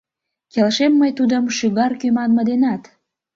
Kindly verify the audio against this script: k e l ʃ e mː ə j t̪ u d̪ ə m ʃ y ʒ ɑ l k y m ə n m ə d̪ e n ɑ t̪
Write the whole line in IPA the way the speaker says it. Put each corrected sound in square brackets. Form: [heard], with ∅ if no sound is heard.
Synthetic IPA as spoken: k e l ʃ e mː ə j t̪ u d̪ ə m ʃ y [ɣ] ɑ [r] k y m [ɑ] n m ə d̪ e n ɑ t̪